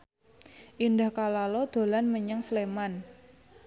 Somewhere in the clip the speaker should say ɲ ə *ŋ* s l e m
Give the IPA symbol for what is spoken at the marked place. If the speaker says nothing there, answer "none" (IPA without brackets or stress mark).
ŋ